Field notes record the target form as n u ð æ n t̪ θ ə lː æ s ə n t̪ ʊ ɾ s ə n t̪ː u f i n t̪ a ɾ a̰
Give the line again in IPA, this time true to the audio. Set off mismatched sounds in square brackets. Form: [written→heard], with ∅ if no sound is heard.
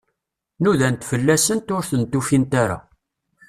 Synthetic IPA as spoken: n u ð æ n t̪ [θ→f] ə lː æ s ə n t̪ ʊ ɾ [s→θ] ə n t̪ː u f i n t̪ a ɾ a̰